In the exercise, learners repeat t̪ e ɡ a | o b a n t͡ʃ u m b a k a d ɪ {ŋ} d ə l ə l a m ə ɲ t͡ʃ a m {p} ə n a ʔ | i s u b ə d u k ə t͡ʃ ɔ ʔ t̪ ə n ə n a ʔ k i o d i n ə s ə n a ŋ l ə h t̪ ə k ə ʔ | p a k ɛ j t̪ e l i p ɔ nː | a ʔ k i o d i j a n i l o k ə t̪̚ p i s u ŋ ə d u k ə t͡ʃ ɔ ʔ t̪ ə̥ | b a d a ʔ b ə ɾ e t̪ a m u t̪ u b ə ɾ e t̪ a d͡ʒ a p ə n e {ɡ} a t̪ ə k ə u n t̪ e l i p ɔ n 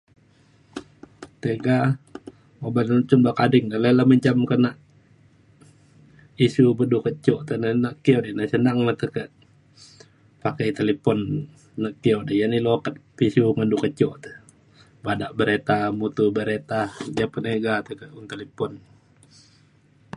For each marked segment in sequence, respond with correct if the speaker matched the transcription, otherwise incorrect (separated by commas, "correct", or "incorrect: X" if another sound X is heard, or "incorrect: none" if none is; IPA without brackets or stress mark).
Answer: correct, incorrect: k, correct